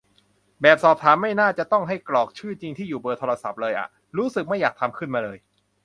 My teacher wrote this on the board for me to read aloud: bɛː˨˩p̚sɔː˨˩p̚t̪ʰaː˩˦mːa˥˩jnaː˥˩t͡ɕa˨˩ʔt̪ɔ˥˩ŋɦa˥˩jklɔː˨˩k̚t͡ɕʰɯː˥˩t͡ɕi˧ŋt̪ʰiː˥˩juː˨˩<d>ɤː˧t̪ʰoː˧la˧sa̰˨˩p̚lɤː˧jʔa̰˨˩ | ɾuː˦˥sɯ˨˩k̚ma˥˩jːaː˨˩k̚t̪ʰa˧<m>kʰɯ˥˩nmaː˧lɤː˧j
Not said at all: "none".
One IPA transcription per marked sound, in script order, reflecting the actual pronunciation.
b, m

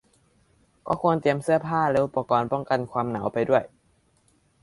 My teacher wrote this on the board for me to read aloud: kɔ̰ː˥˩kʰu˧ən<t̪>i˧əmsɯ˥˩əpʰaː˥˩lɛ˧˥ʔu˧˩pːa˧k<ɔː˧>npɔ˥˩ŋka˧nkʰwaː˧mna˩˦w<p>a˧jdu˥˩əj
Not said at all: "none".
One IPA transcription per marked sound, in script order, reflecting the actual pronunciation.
t̪, ɔː˧, p

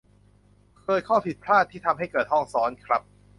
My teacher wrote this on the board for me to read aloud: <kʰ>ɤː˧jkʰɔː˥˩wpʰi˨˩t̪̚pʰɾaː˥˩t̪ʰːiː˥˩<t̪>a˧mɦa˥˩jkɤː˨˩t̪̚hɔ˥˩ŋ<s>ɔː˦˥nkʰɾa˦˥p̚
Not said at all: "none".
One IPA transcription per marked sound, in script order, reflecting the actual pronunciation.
kʰ, t̪ʰ, s

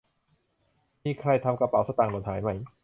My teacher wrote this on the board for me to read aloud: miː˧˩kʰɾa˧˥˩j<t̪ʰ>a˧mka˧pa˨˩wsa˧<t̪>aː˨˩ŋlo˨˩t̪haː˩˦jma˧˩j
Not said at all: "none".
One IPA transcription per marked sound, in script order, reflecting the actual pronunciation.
t̪ʰ, t̪

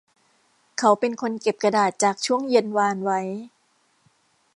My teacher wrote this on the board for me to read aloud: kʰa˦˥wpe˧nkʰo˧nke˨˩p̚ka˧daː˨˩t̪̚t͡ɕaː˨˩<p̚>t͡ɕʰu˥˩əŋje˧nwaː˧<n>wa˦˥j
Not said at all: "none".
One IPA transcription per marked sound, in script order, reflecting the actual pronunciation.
k̚, n

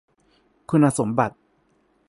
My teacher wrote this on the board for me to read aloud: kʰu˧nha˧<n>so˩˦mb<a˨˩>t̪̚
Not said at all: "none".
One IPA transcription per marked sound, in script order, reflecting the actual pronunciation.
none, a˨˩

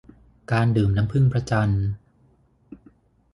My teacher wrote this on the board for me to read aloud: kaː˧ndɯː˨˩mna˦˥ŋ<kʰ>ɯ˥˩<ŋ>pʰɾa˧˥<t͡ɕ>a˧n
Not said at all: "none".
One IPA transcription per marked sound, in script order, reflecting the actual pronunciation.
pʰ, ŋ, t͡ɕ

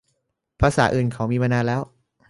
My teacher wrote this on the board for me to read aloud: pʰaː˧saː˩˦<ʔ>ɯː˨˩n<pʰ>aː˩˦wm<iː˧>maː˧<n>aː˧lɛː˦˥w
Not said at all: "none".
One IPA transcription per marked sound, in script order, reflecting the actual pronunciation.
ʔ, kʰ, iː˧, n

